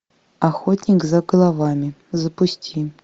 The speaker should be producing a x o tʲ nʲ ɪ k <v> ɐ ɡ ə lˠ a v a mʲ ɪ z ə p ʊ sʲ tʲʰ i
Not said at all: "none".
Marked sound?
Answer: z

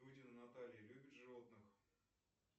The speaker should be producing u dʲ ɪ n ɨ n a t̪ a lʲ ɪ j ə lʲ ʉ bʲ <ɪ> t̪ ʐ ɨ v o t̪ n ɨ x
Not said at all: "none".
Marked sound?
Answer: ɪ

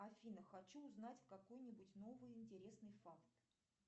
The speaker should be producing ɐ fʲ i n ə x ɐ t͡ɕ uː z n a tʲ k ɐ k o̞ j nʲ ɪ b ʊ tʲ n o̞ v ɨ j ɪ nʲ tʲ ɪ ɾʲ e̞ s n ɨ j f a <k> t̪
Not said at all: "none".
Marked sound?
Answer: k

